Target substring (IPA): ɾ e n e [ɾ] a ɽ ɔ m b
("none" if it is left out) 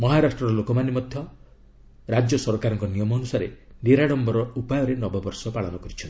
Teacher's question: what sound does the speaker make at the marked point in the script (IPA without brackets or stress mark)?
ɾ